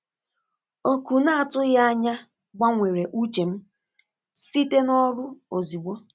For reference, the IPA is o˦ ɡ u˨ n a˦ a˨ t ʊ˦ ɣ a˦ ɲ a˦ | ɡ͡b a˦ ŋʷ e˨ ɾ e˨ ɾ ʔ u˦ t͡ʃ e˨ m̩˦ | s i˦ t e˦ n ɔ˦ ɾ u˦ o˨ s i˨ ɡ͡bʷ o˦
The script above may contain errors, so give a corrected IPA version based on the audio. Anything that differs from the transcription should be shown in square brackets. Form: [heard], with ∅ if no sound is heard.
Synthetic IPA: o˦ [k] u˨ n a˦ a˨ t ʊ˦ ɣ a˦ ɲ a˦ | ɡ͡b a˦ ŋʷ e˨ ɾ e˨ [∅] ʔ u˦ t͡ʃ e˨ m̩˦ | s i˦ t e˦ n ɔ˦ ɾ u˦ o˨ [z] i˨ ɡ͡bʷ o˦

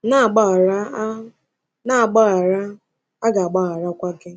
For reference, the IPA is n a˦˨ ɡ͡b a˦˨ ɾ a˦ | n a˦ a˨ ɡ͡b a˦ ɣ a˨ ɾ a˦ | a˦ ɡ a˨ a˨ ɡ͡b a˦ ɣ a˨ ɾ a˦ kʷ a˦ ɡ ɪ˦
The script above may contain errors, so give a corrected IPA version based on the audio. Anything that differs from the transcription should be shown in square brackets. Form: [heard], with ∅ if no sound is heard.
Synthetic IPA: n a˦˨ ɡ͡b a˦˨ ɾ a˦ | n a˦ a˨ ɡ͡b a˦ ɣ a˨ ɾ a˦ | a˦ ɡ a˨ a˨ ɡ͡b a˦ ɣ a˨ ɾ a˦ kʷ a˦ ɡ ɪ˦

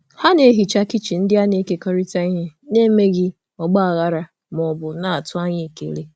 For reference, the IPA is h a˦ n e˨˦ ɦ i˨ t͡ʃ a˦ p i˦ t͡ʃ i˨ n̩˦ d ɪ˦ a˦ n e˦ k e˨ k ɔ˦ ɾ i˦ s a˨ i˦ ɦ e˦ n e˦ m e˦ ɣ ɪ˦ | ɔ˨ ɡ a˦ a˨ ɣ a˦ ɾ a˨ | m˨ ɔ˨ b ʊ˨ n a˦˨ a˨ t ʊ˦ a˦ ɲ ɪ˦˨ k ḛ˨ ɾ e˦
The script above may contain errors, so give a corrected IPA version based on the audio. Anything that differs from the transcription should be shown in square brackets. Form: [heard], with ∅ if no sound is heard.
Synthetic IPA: h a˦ n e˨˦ ɦ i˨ t͡ʃ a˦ [k] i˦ t͡ʃ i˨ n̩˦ d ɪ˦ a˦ n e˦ k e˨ k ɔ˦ ɾ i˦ [t] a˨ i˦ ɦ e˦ n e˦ m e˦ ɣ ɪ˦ | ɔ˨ [ɡ͡b] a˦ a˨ ɣ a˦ ɾ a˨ | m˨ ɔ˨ b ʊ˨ n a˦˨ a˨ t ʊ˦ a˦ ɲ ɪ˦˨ k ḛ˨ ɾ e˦

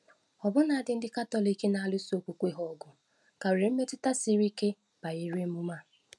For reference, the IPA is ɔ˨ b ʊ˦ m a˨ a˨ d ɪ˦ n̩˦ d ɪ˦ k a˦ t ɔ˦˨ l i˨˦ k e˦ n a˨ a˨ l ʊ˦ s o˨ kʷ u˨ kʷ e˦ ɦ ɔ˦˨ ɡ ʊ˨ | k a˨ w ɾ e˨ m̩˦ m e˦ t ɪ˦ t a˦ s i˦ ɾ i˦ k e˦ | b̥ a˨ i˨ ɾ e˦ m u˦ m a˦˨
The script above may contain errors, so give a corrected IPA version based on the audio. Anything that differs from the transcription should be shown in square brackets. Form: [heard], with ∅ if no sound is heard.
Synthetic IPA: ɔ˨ b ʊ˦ [n] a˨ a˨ d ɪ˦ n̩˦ d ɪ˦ k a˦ t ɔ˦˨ l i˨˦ k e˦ n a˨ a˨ l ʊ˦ s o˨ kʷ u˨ kʷ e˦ ɦ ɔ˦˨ ɡ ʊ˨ | k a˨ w ɾ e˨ m̩˦ m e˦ t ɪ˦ t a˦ s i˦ ɾ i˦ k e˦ | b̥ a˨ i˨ ɾ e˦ m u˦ m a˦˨

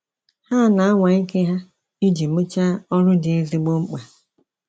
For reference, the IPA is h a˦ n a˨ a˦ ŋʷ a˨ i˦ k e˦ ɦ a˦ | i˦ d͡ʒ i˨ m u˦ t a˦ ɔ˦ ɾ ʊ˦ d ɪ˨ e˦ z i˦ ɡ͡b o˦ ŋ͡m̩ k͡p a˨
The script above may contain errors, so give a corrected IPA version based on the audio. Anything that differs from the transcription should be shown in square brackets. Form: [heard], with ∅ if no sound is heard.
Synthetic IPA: h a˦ n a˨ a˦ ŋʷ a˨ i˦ k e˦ ɦ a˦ | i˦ d͡ʒ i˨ m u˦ [t͡ʃ] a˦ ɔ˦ ɾ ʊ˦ d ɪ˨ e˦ z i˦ ɡ͡b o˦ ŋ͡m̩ k͡p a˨

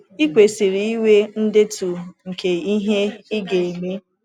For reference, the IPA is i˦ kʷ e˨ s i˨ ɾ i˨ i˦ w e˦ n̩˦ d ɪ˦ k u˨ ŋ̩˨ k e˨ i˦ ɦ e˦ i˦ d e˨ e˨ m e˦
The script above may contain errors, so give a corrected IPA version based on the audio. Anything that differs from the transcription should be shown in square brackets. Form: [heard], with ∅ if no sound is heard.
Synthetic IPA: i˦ kʷ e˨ s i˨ ɾ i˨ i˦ w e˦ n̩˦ d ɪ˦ [t] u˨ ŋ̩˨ k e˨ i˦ ɦ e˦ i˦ [ɡ] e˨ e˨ m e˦

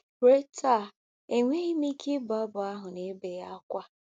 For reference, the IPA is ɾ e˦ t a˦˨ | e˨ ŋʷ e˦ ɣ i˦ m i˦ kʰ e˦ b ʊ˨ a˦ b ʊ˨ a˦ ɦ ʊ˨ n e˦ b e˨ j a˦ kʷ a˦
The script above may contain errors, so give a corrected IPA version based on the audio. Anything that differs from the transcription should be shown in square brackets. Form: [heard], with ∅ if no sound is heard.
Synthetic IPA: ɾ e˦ t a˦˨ | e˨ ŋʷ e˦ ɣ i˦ m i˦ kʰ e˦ b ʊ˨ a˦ b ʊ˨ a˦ ɦ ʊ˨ n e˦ b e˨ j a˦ kʷ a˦

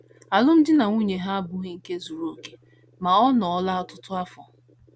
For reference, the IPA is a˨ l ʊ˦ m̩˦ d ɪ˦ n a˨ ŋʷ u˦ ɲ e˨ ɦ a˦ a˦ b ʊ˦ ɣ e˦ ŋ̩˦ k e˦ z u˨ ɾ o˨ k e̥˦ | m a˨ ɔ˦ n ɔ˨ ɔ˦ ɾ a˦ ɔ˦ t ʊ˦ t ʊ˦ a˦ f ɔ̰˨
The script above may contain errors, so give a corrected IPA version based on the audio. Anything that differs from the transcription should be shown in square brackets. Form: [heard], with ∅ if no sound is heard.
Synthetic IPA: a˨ l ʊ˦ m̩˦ d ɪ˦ n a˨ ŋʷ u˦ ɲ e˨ ɦ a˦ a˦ b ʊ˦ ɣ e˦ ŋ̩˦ k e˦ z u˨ ɾ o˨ k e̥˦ | m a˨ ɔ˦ n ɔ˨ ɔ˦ [l] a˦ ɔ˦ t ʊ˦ t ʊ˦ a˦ f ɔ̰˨

